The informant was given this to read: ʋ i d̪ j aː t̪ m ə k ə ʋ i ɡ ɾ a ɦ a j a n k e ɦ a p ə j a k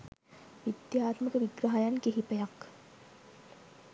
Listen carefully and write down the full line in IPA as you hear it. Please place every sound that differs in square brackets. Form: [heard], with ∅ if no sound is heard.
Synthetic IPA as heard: ʋ i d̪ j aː t̪ m ə k ə ʋ i ɡ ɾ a ɦ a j a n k e ɦ [i] p ə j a k